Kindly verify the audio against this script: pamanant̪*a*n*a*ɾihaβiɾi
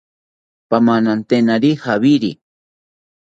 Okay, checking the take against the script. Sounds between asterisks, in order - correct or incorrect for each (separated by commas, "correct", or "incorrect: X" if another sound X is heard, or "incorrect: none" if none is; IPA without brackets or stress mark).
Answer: incorrect: e, correct